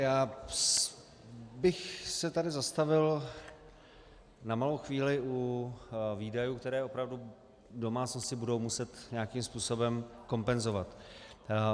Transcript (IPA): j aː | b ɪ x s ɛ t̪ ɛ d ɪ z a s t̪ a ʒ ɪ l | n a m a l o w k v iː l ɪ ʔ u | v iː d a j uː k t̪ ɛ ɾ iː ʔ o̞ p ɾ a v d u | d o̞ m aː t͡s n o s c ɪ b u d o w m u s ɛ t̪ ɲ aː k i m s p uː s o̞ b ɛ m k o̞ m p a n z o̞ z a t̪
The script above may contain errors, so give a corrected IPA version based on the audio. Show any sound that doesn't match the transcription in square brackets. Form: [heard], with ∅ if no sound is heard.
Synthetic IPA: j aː | b ɪ x s ɛ t̪ [a] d ɪ z a s t̪ a [v] ɪ l | n a m a l o w [x] v iː l ɪ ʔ u | v iː d a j uː k t̪ ɛ ɾ [ɛː] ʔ o̞ p ɾ a v d u | d o̞ m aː t͡s n o s c ɪ b u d o w m u s ɛ t̪ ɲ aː k i m s p uː s o̞ b ɛ m k o̞ m p [ɛ] n z o̞ [v] a t̪